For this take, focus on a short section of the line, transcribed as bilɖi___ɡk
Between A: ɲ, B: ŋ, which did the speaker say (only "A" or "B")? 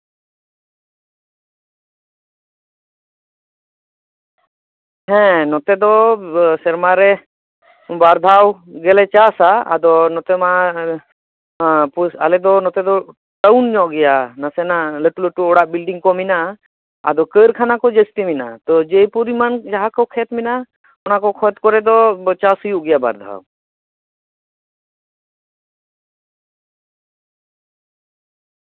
B